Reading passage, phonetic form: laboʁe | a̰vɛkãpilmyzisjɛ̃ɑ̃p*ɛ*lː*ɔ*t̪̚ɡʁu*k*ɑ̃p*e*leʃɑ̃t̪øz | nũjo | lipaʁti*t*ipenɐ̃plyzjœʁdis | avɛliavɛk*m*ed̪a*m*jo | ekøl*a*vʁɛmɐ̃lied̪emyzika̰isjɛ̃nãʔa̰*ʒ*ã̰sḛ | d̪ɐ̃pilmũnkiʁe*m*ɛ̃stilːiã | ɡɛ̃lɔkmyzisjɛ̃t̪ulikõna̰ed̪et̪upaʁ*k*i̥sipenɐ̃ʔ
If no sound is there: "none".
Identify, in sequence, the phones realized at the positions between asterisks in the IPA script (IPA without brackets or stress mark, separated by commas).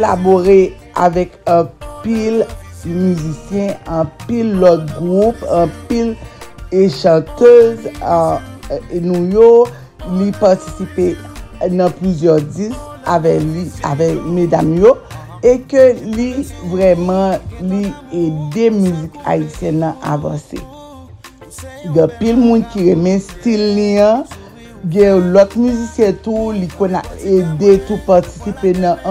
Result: i, ɔ, p, i, s, m, m, i, v, m, t